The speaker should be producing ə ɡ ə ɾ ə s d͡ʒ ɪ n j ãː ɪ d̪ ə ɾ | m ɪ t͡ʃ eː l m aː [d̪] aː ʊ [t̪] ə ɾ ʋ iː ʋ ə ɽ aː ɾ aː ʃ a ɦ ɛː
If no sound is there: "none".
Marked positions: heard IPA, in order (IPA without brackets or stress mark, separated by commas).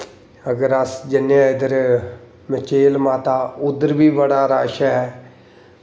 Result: t̪, d̪